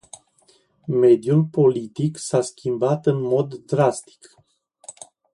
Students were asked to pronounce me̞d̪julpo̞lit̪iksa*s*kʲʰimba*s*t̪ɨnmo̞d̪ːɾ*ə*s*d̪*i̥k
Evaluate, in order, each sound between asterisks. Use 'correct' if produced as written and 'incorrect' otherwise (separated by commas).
correct, incorrect, incorrect, incorrect